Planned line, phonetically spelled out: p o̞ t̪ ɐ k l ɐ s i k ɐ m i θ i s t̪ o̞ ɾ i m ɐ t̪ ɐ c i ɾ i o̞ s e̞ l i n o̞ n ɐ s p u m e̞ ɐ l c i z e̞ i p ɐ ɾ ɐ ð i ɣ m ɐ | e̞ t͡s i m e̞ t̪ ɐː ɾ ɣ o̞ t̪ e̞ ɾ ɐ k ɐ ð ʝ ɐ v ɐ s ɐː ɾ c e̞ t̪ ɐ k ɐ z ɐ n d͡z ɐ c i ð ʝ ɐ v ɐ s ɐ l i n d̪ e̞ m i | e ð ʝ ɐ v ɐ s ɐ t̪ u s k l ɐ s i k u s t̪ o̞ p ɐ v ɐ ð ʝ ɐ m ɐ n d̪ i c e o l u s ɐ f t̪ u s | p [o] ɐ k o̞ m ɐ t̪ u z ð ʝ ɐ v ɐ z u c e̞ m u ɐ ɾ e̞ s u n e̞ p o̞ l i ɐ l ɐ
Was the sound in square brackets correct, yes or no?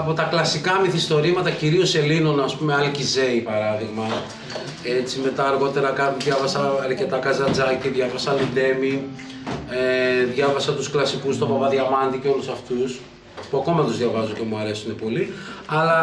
no